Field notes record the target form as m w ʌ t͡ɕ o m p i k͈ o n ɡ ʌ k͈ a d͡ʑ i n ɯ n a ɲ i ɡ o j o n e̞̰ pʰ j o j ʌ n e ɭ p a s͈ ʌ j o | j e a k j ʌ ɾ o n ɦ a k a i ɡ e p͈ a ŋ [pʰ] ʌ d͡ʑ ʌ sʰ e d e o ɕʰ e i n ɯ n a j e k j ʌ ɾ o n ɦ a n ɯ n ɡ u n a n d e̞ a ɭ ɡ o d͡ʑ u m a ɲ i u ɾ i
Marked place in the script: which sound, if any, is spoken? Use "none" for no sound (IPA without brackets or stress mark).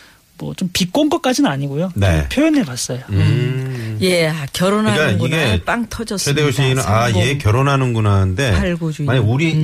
tʰ